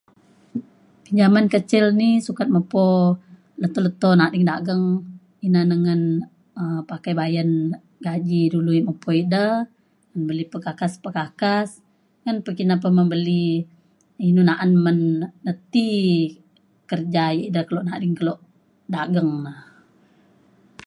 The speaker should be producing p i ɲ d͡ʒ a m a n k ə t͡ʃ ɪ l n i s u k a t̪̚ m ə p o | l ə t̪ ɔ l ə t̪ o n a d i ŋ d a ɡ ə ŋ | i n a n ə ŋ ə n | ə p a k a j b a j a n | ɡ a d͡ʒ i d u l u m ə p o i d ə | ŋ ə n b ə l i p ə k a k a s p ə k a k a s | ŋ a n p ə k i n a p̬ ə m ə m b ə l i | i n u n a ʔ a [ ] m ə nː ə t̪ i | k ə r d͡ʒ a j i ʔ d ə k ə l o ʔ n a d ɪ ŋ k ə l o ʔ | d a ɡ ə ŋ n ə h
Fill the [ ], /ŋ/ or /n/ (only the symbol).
n